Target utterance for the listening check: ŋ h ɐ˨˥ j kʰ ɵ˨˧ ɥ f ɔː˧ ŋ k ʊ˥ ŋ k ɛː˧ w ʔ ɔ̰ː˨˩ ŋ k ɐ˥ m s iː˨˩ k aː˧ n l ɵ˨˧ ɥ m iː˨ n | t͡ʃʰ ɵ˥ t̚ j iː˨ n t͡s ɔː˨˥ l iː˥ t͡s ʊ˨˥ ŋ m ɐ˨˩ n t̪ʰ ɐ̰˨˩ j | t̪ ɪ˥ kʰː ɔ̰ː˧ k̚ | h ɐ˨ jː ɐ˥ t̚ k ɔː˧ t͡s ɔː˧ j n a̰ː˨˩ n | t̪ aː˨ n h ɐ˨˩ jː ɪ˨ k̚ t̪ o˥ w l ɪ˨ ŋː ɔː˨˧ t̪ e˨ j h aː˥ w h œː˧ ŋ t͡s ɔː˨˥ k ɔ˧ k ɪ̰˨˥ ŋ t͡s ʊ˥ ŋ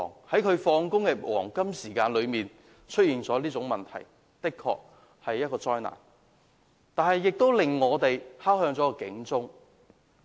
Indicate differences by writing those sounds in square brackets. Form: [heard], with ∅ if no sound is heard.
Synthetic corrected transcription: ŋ h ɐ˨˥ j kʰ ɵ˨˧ ɥ f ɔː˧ ŋ k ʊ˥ ŋ k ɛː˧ w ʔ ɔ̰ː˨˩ ŋ k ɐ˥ m s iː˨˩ k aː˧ n l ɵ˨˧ ɥ m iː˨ n | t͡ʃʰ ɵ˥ t̚ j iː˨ n t͡s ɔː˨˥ l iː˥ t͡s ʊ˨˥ ŋ m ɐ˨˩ n t̪ʰ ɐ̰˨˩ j | t̪ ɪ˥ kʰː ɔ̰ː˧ k̚ | h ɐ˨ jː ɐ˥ t̚ k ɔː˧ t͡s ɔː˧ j n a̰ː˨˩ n | t̪ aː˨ n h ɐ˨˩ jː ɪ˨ k̚ t̪ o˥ w l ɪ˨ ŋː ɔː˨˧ t̪ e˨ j h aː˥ w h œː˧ ŋ t͡s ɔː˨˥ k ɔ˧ k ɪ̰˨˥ ŋ t͡s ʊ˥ ŋ